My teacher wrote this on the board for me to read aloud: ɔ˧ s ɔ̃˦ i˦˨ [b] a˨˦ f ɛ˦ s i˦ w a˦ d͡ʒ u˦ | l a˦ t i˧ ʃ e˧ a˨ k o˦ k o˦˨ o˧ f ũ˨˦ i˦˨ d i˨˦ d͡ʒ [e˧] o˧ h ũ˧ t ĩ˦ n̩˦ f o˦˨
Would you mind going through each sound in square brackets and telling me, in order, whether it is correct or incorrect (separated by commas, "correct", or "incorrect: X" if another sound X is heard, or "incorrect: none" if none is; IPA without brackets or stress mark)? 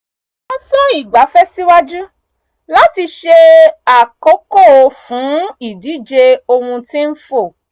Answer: incorrect: ɡ͡b, correct